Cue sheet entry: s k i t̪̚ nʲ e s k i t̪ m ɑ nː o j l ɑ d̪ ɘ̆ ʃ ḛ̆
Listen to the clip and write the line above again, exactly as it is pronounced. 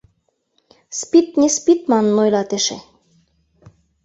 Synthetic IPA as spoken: s p i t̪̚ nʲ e s p i t̪ m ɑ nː o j l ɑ t̪ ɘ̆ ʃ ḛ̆